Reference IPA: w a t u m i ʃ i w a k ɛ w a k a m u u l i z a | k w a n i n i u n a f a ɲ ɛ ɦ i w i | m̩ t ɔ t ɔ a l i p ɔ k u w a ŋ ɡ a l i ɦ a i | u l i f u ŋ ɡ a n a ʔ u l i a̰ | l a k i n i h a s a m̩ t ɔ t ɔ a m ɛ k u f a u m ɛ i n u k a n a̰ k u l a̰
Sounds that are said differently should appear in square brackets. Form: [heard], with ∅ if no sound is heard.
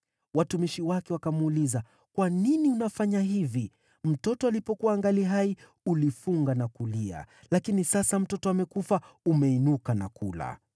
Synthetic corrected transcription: w a t u m i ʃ i w a k ɛ w a k a m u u l i z a | k w a n i n i u n a f a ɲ [a] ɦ i [v] i | m̩ t ɔ t ɔ a l i p ɔ k u w a ŋ ɡ a l i ɦ a i | u l i f u ŋ ɡ a n a [k] u l i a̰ | l a k i n i [s] a s a m̩ t ɔ t ɔ a m ɛ k u f a u m ɛ i n u k a n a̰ k u l a̰